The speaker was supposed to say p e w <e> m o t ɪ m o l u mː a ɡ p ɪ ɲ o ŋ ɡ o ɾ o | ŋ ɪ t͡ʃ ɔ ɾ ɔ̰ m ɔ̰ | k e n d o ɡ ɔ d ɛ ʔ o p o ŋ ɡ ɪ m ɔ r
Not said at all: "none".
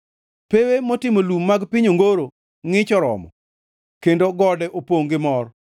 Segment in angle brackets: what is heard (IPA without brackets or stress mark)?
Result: e